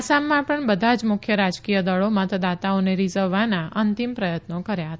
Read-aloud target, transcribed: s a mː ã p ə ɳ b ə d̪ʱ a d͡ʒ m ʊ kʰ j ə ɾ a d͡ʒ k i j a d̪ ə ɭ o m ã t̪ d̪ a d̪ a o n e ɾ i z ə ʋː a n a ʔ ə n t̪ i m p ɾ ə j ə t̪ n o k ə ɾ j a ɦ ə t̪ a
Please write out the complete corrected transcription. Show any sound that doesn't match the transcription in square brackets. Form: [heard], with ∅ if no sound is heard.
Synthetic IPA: s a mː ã p ə ɳ b ə d̪ʱ a d͡ʒ m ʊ kʰ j ə ɾ a d͡ʒ k i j [ə] d̪ ə ɭ o m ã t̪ d̪ a [t̪] a o n e ɾ i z ə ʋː a n a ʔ ə n t̪ i m p ɾ ə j ə t̪ n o k ə ɾ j a ɦ ə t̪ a